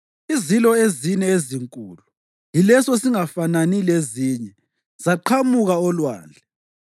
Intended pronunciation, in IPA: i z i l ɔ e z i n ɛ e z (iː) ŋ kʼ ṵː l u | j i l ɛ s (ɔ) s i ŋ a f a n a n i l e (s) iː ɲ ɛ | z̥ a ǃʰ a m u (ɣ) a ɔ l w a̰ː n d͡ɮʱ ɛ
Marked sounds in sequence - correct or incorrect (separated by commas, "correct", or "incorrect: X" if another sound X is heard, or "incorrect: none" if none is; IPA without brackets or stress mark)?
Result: incorrect: i, correct, incorrect: z, correct